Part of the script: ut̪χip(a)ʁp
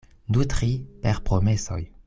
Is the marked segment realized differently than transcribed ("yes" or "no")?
yes